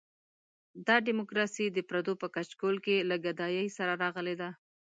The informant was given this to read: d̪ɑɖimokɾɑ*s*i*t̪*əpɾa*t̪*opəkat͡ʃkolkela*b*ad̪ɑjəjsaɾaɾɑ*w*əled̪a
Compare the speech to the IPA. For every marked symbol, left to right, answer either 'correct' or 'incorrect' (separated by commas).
correct, incorrect, incorrect, incorrect, incorrect